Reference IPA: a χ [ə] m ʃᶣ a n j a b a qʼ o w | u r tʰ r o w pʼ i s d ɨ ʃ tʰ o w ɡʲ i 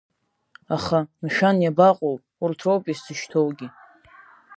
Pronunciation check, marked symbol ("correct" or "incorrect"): incorrect